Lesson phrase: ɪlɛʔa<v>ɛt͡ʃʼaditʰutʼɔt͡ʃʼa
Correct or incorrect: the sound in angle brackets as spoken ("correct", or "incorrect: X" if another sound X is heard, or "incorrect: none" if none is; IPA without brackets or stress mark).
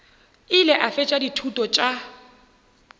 incorrect: f